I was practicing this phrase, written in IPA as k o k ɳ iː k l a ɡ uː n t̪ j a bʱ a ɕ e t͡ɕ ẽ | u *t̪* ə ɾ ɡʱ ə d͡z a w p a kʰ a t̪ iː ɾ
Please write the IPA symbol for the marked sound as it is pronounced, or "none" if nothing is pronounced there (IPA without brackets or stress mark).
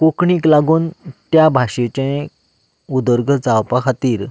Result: d̪